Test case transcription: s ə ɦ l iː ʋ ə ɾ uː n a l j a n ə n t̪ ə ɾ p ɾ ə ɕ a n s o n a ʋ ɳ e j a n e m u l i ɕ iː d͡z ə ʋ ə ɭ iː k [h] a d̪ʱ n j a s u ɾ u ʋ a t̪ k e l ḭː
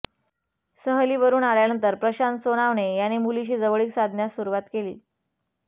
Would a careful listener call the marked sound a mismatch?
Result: yes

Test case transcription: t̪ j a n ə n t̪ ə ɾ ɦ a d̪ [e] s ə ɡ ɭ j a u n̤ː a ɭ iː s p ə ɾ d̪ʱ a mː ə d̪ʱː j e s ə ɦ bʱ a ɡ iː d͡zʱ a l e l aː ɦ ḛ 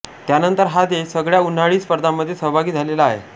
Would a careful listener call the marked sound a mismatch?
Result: no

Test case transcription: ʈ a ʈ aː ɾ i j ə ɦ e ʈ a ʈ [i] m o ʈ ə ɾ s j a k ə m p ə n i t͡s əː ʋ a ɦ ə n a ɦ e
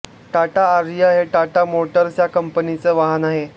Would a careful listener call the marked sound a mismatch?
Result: yes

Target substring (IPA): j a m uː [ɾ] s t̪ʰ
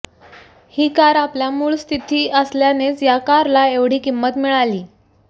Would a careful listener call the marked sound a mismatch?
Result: yes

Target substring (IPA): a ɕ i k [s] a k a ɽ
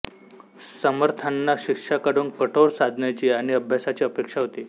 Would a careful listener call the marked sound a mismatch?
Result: yes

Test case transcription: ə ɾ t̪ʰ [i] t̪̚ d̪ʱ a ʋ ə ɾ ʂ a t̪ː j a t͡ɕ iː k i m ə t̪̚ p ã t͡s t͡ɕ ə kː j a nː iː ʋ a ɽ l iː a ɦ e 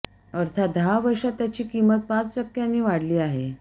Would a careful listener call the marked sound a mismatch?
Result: yes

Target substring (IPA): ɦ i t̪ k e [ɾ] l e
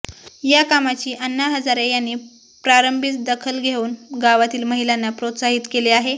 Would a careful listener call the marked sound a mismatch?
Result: yes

